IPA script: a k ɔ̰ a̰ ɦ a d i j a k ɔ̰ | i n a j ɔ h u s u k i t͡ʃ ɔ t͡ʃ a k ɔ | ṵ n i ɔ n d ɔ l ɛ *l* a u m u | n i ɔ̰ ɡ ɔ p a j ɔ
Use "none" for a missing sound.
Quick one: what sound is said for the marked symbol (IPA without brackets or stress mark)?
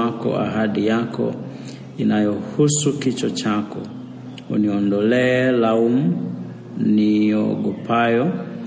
l